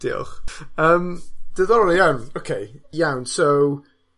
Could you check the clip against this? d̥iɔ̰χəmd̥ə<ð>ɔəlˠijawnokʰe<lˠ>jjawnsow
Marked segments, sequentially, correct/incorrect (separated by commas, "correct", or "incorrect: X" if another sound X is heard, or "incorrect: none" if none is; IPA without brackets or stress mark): correct, incorrect: none